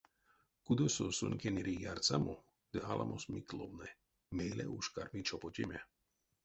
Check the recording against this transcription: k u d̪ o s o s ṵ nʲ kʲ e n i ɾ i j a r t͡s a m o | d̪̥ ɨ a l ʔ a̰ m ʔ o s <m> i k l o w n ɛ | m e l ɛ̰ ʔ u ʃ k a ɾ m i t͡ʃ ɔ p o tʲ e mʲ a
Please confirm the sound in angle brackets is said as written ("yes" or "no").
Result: yes